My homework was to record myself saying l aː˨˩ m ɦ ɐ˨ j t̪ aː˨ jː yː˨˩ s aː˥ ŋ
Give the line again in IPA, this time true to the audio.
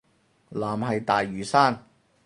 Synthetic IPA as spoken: l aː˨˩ m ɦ ɐ˨ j t̪ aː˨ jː yː˨˩ s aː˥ n

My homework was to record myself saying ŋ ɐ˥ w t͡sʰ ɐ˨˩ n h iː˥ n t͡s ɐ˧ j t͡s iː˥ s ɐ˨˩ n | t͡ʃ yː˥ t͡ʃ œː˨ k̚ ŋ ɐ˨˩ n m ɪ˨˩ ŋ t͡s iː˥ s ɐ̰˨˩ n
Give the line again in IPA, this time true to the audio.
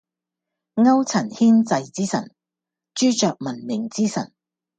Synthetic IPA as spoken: ŋ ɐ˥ w t͡sʰ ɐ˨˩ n h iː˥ n t͡s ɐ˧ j t͡s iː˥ s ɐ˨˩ n | t͡ʃ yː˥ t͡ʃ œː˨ k̚ m ɐ˨˩ n m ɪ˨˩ ŋ t͡s iː˥ s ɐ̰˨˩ n

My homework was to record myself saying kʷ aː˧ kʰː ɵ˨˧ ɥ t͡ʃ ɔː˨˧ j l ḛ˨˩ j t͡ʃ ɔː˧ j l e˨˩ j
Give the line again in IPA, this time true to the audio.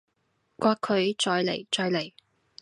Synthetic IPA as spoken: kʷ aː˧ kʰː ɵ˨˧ ɥ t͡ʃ ɔː˨˧ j l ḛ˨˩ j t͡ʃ ɔː˧ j l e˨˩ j

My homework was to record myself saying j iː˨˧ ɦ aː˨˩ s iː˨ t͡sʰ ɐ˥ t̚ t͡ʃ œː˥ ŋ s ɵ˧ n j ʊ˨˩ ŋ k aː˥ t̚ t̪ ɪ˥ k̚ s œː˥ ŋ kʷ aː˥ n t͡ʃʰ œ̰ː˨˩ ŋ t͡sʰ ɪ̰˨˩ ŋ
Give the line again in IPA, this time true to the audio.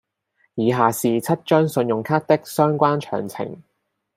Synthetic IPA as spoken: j iː˨˧ ɦ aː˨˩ s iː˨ t͡sʰ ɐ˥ t̚ t͡ʃ œː˥ ŋ s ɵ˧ n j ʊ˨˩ ŋ kʰ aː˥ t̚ t̪ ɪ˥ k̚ s œː˥ ŋ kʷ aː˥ n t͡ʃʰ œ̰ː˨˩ ŋ t͡sʰ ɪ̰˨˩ ŋ

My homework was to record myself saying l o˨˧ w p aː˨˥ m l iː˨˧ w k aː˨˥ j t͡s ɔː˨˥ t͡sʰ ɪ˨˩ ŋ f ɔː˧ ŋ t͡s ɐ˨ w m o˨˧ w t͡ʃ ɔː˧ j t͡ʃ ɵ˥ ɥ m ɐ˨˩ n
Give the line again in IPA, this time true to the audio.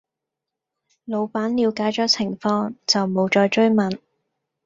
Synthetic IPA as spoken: l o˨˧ w p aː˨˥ n l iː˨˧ w k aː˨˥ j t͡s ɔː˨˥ t͡sʰ ɪ˨˩ ŋ f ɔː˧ ŋ t͡s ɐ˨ w m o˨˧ w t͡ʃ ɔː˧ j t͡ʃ ɵ˥ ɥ m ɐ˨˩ n

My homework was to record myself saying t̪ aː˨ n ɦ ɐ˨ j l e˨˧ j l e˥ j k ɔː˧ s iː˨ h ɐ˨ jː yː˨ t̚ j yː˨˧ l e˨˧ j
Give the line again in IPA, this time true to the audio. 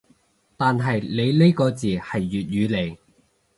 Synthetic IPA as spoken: t̪ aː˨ n ɦ ɐ˨ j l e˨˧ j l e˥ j k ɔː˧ t͡s iː˨ h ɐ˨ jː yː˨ t̚ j yː˨˧ l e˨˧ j

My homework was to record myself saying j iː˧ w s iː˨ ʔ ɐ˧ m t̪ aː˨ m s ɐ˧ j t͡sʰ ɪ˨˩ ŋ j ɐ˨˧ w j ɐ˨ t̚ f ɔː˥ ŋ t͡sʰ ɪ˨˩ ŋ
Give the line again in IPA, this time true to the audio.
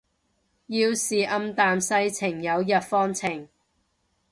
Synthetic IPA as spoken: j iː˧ w s iː˨ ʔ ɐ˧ m t̪ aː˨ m s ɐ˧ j t͡sʰ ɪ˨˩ ŋ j ɐ˨˧ w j ɐ˨ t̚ f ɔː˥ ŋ t͡sʰ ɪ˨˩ ŋ

